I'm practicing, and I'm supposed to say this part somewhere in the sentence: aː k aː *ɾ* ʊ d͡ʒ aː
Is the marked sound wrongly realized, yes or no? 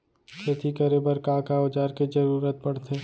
yes